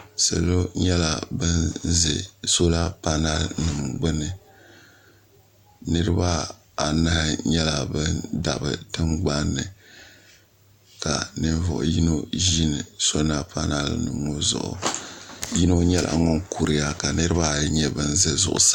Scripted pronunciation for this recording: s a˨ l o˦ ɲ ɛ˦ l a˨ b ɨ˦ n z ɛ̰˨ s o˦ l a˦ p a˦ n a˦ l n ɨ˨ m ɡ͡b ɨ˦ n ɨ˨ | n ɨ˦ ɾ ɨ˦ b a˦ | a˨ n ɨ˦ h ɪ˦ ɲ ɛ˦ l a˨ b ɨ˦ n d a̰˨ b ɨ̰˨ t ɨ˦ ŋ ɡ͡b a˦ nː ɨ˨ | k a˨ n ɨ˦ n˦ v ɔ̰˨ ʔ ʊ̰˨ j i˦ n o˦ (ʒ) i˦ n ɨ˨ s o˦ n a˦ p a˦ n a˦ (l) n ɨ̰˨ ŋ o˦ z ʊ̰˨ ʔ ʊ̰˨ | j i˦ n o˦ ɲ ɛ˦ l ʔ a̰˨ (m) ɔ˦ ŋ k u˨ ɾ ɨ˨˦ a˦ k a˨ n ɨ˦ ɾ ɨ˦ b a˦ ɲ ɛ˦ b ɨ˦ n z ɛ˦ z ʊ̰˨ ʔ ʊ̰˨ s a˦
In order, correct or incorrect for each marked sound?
correct, correct, incorrect: ŋ

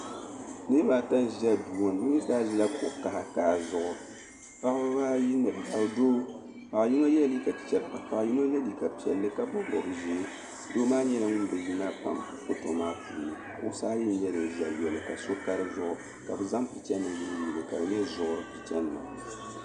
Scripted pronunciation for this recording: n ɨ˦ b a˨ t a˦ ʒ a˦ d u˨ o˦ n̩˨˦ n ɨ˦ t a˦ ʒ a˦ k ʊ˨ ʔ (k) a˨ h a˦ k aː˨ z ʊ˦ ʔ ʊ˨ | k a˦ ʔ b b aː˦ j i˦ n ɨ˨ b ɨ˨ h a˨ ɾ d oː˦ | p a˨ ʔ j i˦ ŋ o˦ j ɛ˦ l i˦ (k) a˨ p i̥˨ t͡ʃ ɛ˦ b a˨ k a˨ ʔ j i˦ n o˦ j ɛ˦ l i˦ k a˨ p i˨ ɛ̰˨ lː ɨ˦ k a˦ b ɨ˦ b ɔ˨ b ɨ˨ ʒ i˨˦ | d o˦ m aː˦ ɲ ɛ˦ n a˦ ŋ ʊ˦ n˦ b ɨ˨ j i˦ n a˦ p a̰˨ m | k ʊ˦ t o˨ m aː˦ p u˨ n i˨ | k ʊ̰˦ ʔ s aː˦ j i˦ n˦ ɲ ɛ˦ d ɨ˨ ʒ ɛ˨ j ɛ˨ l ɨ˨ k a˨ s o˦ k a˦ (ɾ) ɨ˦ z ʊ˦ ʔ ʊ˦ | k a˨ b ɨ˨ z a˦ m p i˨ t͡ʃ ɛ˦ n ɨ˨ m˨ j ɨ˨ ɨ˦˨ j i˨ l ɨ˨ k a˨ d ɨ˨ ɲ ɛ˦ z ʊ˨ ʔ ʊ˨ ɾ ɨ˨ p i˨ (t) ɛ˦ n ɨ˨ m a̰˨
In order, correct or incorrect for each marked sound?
correct, correct, correct, incorrect: t͡ʃ

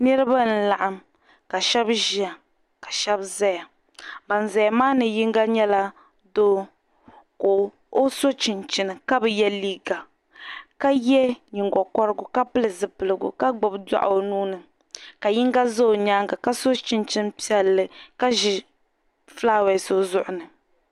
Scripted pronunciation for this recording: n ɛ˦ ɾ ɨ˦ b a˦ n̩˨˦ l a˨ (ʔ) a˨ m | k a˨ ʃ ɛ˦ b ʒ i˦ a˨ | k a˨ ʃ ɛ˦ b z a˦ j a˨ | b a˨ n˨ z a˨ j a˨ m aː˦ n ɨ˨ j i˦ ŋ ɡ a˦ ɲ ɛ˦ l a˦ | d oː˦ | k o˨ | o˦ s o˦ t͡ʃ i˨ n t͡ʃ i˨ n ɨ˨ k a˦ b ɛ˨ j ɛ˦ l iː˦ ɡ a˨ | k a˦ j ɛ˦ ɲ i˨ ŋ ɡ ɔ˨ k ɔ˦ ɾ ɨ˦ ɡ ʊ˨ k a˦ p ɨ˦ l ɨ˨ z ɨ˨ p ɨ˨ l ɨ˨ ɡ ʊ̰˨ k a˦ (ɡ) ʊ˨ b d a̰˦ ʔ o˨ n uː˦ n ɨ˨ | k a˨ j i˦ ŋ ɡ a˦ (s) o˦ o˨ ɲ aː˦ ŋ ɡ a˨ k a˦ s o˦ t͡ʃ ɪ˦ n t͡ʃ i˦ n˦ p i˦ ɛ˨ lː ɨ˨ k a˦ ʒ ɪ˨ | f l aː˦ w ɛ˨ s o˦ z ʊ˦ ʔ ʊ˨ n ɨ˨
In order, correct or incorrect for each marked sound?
correct, incorrect: ɡ͡b, incorrect: z

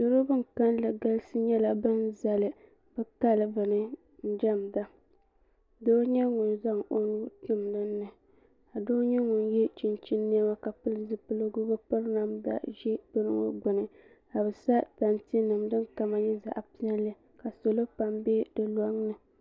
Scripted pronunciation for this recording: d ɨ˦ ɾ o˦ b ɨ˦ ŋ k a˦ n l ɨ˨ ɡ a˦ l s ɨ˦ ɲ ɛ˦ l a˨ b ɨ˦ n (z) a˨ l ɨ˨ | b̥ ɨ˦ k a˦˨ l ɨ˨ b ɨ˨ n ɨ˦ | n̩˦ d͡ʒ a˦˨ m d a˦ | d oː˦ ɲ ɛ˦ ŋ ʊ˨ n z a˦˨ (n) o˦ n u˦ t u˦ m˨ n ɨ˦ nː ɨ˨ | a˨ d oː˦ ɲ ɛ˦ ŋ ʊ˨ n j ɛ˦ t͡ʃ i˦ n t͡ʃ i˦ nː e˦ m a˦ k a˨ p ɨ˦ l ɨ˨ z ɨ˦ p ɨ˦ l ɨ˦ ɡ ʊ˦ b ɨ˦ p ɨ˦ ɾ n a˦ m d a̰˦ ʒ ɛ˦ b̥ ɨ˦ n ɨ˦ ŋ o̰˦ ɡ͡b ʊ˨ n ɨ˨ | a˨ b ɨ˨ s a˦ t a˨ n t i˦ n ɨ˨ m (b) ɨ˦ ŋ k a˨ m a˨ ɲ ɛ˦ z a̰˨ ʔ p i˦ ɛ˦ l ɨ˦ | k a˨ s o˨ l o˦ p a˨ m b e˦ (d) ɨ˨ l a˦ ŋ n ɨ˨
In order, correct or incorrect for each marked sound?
correct, incorrect: ŋ, incorrect: d, correct

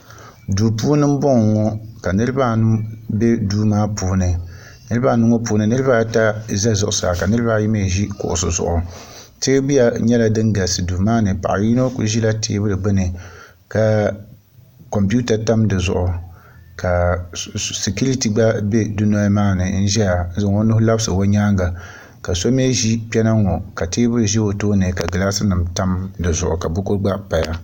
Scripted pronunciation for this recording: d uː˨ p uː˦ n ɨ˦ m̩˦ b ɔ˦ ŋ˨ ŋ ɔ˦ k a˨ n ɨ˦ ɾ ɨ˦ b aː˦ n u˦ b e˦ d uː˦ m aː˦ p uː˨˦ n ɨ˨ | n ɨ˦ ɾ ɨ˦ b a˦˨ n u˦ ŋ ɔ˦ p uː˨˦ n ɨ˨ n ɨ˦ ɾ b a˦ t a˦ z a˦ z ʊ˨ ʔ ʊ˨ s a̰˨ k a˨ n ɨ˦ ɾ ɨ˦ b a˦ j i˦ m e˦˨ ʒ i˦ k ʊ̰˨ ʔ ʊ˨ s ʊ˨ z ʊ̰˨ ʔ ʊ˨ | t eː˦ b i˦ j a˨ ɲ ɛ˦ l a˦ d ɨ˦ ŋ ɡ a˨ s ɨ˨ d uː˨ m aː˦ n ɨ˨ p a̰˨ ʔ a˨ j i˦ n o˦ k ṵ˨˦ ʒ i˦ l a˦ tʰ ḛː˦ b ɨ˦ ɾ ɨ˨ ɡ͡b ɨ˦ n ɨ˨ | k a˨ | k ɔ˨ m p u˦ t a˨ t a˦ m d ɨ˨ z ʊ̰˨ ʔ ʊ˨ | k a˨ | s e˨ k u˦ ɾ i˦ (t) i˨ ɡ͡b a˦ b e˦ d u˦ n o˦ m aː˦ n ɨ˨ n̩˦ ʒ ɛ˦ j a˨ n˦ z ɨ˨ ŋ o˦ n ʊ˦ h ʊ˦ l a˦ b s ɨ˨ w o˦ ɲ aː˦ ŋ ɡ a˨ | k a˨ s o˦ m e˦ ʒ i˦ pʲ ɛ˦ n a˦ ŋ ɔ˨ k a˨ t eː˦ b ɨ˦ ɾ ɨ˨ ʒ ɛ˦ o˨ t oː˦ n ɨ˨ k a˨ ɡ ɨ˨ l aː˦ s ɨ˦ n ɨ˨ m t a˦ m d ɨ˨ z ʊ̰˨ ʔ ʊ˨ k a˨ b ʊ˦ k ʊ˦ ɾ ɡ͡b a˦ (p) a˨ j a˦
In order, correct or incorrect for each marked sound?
correct, correct

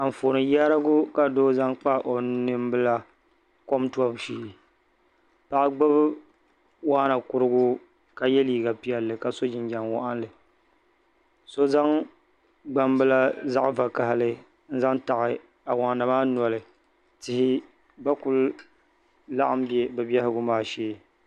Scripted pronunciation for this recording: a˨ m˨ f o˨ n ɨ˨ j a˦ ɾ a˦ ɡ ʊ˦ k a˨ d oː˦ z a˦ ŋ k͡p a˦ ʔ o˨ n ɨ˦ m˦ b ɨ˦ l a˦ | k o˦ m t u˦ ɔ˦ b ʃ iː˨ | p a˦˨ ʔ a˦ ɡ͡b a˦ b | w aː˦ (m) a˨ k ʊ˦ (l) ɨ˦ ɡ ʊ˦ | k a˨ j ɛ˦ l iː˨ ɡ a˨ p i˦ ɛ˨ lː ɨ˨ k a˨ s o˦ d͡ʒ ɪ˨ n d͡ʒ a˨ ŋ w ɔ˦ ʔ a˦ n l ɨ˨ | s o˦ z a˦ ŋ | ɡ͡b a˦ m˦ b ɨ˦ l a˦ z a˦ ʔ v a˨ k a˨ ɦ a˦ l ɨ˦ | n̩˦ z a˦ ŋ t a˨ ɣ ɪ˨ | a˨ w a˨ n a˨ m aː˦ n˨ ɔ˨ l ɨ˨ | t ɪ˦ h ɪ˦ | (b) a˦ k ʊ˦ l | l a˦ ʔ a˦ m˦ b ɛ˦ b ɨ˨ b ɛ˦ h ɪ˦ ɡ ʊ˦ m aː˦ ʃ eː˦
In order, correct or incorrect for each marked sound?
incorrect: n, incorrect: ɾ, correct

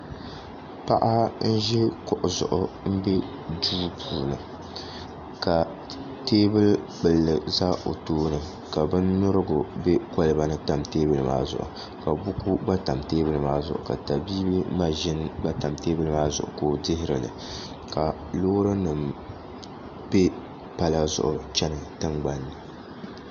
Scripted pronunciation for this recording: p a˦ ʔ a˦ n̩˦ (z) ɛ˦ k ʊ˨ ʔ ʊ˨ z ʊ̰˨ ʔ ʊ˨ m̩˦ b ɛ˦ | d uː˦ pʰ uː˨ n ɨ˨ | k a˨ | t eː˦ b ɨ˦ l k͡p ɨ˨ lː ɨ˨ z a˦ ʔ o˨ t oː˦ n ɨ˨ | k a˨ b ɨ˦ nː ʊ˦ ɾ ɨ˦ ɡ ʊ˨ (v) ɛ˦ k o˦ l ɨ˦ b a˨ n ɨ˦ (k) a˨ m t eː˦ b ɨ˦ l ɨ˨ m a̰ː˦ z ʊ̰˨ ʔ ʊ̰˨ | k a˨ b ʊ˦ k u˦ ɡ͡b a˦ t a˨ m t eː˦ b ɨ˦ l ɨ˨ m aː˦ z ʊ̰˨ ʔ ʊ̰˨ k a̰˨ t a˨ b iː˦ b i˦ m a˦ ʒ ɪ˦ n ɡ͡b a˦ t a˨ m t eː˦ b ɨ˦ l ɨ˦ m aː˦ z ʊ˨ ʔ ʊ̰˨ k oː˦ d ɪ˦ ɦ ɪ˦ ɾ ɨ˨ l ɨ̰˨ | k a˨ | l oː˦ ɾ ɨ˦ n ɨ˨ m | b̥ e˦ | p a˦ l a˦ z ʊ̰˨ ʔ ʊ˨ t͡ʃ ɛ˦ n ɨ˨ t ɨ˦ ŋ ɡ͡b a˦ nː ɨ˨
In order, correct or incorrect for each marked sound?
incorrect: ʒ, incorrect: b, incorrect: t

